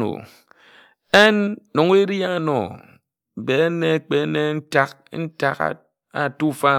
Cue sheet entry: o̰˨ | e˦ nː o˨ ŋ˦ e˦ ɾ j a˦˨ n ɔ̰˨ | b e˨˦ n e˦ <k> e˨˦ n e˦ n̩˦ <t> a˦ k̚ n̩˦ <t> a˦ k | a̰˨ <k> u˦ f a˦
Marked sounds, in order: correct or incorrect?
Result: incorrect: k͡p, correct, correct, incorrect: t

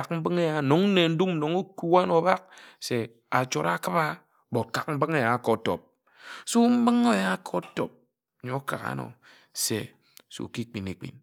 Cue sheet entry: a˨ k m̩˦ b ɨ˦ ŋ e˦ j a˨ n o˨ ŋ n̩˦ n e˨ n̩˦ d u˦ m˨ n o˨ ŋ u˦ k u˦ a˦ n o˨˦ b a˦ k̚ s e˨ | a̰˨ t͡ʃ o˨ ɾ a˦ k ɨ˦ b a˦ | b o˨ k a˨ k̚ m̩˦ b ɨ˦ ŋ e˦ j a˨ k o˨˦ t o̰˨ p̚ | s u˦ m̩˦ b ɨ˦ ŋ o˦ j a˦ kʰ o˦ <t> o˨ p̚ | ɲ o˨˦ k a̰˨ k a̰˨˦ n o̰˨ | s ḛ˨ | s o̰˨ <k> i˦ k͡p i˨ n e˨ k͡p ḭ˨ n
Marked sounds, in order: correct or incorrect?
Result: correct, correct

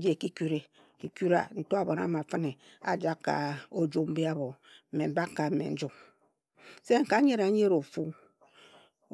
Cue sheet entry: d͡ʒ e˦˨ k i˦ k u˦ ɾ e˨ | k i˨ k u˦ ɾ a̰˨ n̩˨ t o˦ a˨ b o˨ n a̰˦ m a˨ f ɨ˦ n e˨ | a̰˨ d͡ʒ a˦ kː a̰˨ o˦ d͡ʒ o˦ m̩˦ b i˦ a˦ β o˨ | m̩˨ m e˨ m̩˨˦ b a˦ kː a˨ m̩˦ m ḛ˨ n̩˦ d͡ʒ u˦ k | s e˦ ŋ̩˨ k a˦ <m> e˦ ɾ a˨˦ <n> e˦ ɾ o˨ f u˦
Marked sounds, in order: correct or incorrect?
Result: incorrect: ɲ, incorrect: ɲ

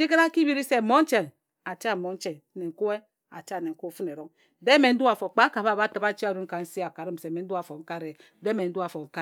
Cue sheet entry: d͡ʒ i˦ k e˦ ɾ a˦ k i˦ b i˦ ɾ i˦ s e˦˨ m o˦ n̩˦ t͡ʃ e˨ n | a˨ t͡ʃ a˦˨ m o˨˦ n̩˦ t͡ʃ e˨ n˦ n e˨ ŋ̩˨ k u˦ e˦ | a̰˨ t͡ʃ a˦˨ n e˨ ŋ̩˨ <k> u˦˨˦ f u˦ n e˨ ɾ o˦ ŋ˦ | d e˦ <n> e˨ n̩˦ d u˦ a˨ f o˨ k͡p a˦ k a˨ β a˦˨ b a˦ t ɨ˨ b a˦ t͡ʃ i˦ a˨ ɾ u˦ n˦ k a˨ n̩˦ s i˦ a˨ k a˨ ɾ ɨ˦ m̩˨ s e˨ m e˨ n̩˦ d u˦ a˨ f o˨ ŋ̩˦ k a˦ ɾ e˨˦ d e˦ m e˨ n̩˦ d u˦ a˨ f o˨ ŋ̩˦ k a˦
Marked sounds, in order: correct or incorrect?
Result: correct, incorrect: m

